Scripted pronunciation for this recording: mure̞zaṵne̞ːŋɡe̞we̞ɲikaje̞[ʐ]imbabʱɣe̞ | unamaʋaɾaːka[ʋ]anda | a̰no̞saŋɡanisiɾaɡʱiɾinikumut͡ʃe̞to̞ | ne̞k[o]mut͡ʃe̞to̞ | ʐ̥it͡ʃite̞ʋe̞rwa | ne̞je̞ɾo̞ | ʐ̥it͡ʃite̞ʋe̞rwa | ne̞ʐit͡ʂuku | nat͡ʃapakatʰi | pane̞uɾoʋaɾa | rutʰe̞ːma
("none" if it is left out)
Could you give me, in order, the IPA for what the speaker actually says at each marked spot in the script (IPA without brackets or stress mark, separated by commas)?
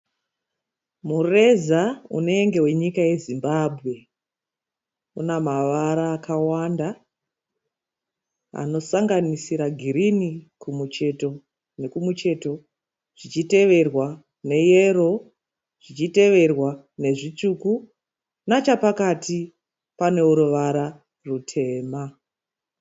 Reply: z, w, u